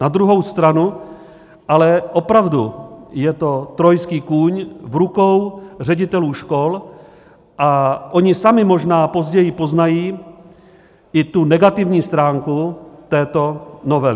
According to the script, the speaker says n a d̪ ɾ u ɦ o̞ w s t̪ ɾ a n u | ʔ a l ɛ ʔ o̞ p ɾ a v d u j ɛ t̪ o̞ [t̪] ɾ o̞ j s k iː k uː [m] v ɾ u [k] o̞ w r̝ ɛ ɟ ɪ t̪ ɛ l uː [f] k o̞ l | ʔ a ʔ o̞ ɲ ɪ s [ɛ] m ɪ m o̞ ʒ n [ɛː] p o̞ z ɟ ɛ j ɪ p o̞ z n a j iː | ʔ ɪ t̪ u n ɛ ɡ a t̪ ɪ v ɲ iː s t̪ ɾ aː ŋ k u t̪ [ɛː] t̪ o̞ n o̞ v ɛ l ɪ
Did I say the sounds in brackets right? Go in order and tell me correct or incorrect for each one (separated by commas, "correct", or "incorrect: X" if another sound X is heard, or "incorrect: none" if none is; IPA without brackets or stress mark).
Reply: correct, incorrect: ɲ, correct, incorrect: ʃ, incorrect: a, incorrect: aː, correct